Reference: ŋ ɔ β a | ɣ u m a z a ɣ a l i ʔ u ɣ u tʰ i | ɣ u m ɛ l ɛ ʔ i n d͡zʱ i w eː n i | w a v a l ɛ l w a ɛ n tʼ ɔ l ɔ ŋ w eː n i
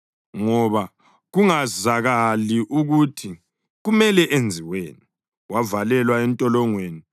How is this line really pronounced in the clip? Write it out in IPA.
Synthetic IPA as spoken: ŋ ɔ β a | ɣ u ŋ a z a ɣ a l i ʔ u ɣ u tʰ i | ɣ u m ɛ l ɛ ʔ e n d͡zʱ i w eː n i | w a v a l ɛ l w a ɛ n tʼ ɔ l ɔ ŋ w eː n i